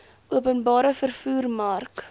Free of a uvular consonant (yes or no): yes